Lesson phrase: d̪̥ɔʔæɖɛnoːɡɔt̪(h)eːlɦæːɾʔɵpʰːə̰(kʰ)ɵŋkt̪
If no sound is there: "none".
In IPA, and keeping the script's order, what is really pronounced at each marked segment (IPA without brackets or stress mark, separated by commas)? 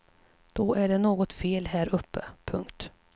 f, pʰ